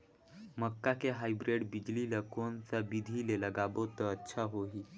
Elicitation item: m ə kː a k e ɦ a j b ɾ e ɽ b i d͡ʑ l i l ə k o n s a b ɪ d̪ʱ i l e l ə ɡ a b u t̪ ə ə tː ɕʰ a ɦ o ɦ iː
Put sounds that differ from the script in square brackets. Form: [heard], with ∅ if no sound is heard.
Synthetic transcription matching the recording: m ə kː a k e ɦ a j b ɾ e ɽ b i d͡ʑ l i l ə k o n [t͡s] a b [i] d̪ʱ i l e l ə ɡ a b [o] t̪ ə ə tː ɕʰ a ɦ o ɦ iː